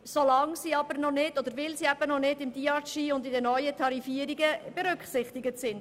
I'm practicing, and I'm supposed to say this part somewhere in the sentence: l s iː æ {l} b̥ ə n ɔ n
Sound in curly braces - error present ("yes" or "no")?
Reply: yes